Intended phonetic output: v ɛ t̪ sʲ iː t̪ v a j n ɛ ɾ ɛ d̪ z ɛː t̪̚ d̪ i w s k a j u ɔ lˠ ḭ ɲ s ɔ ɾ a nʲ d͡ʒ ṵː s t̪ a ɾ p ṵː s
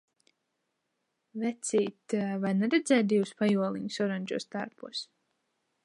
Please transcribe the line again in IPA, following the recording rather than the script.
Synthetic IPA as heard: v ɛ t̪ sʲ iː t̪ v a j n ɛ ɾ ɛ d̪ z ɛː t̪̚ d̪ i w s p a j u ɔ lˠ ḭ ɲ s ɔ ɾ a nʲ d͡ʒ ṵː s t̪ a ɾ p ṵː s